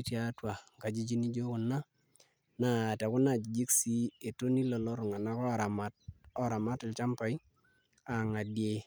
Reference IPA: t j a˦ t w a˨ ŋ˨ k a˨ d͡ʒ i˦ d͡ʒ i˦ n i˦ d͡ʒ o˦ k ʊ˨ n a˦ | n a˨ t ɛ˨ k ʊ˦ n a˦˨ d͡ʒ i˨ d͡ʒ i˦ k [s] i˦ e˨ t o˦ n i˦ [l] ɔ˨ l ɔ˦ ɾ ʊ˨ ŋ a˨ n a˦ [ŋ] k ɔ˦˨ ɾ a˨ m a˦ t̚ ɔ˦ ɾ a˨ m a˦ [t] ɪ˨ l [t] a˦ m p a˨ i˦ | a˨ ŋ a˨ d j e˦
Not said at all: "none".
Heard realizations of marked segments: s, l, none, t, t͡ʃ

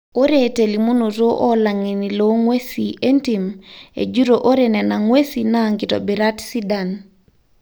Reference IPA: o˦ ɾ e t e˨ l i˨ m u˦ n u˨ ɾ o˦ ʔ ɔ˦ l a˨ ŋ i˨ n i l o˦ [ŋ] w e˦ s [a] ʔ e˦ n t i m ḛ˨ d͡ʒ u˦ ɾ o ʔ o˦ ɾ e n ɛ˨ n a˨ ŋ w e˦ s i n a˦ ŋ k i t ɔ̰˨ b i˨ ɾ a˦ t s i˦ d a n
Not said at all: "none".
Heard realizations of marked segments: ŋ, i

